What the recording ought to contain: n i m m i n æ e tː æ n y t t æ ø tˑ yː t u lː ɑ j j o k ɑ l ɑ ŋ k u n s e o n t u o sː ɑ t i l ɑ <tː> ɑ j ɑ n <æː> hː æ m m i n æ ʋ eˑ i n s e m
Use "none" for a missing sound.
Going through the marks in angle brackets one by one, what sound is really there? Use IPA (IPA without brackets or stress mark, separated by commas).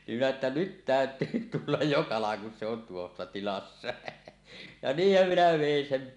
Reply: sː, iː